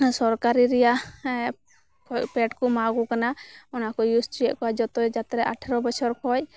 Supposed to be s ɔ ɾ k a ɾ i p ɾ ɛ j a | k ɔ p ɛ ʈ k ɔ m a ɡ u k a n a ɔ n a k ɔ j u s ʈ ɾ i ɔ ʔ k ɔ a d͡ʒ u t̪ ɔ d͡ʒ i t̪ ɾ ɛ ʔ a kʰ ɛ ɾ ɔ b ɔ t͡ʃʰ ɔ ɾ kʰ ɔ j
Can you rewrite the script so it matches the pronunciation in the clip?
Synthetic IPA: s ɔ ɾ k a ɾ i ɾ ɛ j a | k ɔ p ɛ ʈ k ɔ m a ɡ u k a n a ɔ n a k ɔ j u s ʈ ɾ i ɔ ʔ k ɔ a d͡ʒ ɔ t̪ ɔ d͡ʒ a t̪ ɾ ɛ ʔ a ʈʰ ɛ ɾ ɔ b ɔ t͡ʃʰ ɔ ɾ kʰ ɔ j